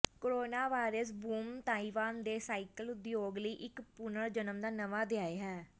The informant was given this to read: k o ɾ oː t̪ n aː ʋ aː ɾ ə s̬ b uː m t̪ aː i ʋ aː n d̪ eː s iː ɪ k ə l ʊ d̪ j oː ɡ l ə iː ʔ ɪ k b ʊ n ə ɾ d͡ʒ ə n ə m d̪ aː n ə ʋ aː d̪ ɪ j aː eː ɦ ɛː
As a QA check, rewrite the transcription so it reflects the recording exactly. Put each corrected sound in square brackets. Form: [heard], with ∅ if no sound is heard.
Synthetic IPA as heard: k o ɾ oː [∅] n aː ʋ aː ɾ ə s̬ b uː m t̪ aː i ʋ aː n d̪ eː s [aː] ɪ k ə l ʊ d̪ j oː ɡ l ə iː ʔ ɪ k [p] ʊ n ə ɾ d͡ʒ ə n ə m d̪ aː n ə ʋ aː d̪ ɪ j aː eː ɦ ɛː